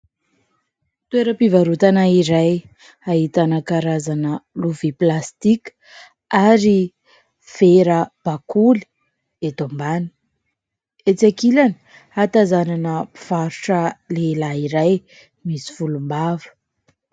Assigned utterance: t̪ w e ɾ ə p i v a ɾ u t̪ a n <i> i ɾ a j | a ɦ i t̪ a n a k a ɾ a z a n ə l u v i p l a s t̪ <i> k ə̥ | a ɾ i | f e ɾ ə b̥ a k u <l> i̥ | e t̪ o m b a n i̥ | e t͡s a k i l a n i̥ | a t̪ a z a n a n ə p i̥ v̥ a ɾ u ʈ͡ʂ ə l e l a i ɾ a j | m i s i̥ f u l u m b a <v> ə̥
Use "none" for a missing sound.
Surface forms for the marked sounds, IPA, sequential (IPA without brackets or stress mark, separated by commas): a, i, l, v